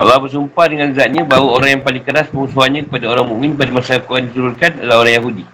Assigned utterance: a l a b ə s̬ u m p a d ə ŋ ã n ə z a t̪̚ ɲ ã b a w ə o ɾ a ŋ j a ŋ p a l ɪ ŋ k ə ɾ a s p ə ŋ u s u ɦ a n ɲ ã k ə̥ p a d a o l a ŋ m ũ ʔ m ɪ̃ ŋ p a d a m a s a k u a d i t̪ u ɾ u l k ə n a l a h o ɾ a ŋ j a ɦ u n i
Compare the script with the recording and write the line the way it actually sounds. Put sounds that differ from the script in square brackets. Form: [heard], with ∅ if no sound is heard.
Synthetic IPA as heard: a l a b ə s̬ u m p a d ə ŋ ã n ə z a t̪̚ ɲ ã b a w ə o ɾ a ŋ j a ŋ p a l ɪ ŋ k ə ɾ a s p ə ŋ u s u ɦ a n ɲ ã k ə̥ p a d a o [ɾ] a ŋ m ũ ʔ m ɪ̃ [n] p a d a m a s a k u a d i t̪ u ɾ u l k [a] n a l a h o ɾ a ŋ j a ɦ u [d] i